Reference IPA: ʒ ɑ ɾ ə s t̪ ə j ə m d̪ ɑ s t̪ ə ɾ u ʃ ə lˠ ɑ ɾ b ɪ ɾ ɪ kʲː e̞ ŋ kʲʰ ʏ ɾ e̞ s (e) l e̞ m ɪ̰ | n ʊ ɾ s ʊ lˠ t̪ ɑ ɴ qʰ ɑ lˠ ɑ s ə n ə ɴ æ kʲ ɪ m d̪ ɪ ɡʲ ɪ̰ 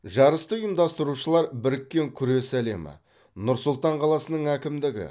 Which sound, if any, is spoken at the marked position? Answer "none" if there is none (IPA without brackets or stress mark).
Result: æ